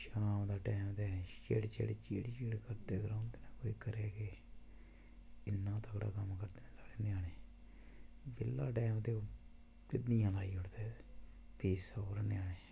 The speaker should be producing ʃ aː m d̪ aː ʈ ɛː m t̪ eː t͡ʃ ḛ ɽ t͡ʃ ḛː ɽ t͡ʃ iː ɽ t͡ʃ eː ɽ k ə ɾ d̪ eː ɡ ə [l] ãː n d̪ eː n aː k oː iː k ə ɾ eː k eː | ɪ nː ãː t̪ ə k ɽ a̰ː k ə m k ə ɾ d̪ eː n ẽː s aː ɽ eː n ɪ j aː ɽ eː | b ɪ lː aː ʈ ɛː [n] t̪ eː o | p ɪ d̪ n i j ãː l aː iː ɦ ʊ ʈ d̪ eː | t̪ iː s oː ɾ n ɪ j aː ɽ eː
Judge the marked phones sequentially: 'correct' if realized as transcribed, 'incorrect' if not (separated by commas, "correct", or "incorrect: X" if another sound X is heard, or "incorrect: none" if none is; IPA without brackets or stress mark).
incorrect: ɾ, incorrect: m